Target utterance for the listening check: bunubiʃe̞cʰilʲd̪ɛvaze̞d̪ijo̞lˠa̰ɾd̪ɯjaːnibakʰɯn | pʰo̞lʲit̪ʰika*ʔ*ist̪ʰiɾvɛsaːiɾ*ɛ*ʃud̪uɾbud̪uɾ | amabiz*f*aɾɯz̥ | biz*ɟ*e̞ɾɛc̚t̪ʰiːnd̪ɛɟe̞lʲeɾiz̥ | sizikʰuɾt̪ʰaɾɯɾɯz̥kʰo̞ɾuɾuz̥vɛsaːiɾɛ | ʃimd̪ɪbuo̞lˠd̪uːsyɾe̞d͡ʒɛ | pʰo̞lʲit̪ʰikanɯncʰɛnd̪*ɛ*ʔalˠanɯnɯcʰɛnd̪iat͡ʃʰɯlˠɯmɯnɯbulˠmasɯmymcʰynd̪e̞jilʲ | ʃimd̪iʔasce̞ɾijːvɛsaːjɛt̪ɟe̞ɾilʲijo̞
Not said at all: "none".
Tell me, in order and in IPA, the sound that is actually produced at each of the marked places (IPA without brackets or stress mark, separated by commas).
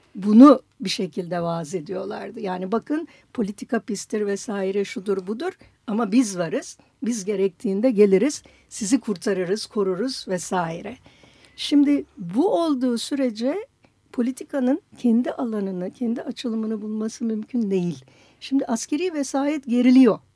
p, ɛ, v, ɟ, i